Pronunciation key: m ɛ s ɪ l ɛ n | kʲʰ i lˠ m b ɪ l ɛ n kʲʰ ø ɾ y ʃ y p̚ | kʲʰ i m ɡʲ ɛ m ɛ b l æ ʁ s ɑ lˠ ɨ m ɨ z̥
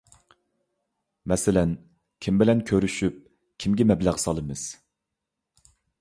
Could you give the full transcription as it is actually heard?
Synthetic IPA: m ɛ s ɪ l ɛ n | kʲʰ i m b ɪ l ɛ n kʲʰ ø ɾ y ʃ y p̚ | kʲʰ i m ɡʲ ɛ m ɛ b l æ ʁ s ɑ lˠ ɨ m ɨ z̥